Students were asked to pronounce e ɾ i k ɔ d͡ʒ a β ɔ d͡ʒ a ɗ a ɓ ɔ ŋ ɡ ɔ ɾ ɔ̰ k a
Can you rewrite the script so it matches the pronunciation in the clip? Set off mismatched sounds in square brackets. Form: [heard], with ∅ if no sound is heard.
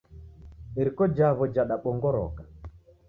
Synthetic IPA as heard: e ɾ i k ɔ d͡ʒ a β ɔ d͡ʒ a ɗ a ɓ ɔ ŋ ɡ ɔ ɾ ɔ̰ k a